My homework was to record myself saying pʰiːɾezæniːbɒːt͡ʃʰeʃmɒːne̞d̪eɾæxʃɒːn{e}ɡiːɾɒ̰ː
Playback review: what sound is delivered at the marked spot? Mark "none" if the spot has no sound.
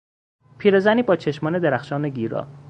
e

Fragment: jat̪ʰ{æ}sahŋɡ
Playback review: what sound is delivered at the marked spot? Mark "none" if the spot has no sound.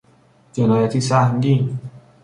i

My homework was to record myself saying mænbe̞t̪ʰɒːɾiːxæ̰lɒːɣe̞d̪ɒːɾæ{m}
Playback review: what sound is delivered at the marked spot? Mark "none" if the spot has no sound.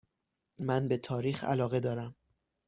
m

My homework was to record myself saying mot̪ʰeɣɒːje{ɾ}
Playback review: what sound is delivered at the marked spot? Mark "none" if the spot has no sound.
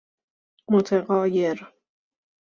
ɾ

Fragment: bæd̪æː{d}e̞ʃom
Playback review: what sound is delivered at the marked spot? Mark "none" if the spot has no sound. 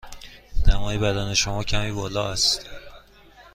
n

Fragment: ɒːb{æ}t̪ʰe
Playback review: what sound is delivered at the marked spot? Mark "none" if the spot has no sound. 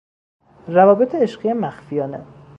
e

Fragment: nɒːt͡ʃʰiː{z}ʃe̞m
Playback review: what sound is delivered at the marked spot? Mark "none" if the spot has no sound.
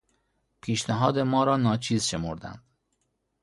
z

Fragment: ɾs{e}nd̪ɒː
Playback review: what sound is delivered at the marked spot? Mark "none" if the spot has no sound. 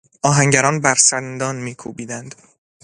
æ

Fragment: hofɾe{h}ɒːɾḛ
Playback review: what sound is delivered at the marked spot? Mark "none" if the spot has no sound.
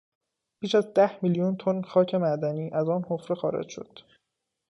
x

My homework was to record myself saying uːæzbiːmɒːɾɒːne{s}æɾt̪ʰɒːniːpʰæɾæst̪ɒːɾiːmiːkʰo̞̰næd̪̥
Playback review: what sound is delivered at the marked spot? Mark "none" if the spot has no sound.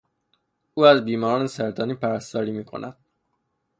s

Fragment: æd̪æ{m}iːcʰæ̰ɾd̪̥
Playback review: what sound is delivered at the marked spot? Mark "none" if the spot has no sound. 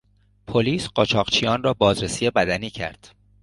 n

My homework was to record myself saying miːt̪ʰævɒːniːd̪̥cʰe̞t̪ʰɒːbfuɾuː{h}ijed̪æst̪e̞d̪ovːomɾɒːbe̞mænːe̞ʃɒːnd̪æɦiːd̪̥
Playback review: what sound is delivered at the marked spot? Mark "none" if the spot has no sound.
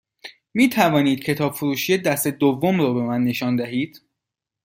ʃ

